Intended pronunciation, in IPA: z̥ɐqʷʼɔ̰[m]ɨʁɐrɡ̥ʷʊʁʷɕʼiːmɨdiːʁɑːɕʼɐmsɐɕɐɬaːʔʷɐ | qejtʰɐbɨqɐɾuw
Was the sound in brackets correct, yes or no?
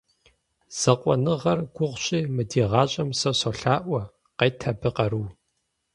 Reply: no